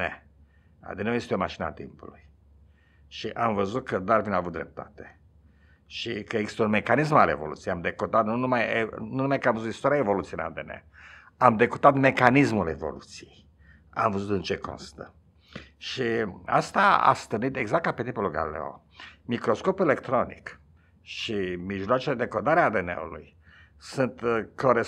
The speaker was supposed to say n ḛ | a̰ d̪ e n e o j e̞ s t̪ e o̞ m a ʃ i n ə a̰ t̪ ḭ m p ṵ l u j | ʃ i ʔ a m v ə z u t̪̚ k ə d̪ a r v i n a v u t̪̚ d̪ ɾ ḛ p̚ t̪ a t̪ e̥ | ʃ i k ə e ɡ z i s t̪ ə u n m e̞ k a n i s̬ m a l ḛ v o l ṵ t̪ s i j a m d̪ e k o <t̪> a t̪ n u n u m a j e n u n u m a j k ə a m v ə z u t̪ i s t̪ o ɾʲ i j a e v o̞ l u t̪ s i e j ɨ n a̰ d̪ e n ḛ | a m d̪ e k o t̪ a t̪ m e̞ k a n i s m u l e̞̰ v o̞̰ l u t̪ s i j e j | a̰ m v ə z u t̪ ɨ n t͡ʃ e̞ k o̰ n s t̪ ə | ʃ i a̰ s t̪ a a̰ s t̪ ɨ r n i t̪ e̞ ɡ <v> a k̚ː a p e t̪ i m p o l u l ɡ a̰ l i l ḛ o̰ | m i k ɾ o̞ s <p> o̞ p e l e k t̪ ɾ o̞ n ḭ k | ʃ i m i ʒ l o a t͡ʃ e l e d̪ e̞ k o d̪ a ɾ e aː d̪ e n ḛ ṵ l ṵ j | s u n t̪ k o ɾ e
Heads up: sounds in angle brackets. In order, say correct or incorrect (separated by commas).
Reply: correct, incorrect, incorrect